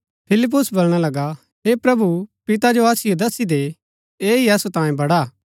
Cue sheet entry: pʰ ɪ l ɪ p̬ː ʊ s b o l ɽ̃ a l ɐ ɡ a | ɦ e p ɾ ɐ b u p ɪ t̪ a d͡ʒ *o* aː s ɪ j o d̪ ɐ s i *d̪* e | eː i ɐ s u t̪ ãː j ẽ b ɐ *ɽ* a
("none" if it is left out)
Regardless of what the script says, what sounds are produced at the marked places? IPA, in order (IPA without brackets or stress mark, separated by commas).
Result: o, d̪, ɽ